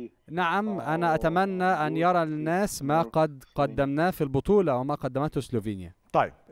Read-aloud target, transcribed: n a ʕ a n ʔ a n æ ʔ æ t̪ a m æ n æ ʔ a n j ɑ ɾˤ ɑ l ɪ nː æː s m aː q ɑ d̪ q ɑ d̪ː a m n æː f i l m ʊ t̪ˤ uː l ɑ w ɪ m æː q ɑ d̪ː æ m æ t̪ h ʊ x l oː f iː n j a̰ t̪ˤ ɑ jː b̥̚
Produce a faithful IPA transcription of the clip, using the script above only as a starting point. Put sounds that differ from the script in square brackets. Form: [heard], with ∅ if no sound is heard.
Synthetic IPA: n a ʕ a [m] ʔ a n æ ʔ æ t̪ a m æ [nː] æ ʔ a n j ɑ ɾˤ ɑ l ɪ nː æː s m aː q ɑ d̪ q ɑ d̪ː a m n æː f i l [b] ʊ t̪ˤ uː l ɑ w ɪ m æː q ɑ d̪ː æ m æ t̪ h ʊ [s] l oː [v] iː n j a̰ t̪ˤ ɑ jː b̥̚